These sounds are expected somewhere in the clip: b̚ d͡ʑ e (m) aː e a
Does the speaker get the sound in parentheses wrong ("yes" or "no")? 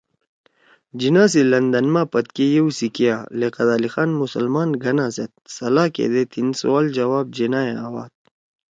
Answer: yes